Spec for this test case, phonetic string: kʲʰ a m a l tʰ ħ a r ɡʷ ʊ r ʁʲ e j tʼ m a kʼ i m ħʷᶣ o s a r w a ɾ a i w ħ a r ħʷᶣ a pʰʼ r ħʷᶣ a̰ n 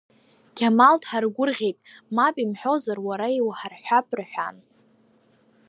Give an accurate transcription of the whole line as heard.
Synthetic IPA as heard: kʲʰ a m a l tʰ ħ a r ɡʷ ʊ r ʁʲ e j tʼ m a pʼ i m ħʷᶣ o z a r w a ɾ a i w ħ a r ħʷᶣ a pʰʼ r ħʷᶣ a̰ n